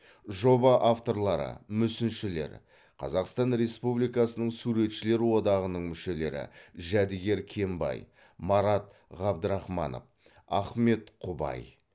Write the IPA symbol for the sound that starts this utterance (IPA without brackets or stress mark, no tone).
ʒ